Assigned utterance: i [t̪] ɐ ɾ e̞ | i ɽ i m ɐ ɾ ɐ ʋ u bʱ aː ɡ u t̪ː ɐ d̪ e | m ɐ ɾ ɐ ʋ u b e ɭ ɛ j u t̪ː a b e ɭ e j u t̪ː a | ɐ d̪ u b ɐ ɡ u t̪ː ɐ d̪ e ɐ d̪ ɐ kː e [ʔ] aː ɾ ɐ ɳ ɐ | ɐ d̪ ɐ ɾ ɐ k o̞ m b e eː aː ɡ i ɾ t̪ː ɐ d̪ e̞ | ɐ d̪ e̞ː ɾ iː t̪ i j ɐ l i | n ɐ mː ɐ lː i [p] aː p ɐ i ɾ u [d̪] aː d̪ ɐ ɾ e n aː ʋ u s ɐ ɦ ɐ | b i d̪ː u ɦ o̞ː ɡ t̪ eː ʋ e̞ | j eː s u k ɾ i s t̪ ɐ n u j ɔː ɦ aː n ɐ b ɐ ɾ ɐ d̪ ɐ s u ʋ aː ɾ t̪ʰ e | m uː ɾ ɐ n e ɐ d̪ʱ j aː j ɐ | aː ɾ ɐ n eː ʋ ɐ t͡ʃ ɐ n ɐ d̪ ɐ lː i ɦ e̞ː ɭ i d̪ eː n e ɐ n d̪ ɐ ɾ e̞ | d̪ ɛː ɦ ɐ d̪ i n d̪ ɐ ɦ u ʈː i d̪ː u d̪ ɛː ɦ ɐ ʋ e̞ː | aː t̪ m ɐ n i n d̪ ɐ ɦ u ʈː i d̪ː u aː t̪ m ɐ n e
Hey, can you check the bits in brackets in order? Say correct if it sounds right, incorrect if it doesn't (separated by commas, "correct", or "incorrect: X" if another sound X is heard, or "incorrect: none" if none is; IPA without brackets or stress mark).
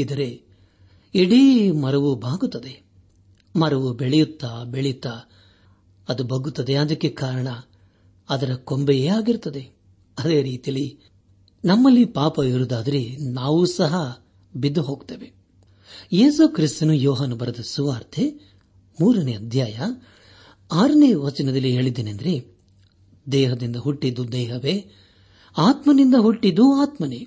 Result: incorrect: d̪, incorrect: k, correct, correct